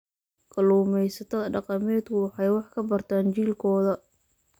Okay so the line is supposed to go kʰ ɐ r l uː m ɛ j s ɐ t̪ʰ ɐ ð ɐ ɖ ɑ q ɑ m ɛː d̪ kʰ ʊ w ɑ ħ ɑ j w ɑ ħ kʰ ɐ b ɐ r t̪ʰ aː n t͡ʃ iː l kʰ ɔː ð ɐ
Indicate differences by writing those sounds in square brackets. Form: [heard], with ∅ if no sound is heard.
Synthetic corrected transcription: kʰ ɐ [∅] l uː m ɛ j s ɐ t̪ʰ ɐ ð ɐ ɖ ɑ q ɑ m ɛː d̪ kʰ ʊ w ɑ ħ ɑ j w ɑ ħ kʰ ɐ b ɐ r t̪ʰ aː n t͡ʃ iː l kʰ ɔː ð ɐ